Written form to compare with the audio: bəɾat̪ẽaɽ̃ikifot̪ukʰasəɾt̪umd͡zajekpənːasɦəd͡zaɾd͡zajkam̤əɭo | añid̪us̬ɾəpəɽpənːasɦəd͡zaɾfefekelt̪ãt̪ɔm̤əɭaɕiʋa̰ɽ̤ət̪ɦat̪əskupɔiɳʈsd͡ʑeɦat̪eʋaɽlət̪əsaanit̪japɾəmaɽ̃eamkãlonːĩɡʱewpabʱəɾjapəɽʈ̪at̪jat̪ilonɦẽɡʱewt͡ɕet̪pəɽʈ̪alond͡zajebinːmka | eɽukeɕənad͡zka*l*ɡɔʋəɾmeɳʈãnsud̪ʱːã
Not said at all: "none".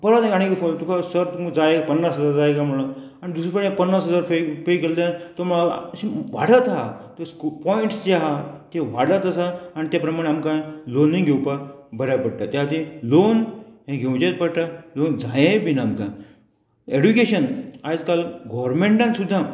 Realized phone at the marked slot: l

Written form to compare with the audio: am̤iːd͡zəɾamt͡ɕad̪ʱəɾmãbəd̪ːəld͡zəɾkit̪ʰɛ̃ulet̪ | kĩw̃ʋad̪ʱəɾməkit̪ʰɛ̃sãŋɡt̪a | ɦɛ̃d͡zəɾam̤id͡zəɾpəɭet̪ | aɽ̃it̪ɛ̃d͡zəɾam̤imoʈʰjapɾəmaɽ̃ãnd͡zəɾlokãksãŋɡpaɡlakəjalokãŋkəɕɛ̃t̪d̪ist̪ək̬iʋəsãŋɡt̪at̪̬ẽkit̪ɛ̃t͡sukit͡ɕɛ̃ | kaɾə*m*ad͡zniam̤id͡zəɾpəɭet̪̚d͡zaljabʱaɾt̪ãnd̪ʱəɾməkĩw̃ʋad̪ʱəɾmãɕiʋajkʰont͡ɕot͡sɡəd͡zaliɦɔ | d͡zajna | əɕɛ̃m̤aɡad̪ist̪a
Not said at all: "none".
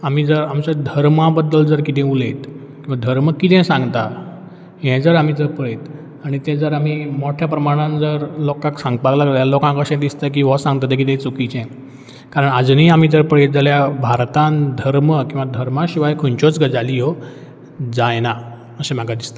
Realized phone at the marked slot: ɳ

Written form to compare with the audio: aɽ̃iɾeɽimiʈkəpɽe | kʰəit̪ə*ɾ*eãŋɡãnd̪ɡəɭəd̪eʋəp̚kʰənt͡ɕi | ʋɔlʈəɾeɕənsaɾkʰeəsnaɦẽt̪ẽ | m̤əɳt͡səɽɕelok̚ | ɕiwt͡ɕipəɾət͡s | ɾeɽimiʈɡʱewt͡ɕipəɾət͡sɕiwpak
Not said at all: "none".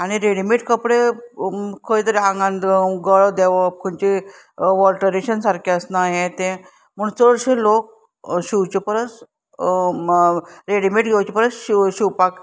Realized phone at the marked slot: ɾ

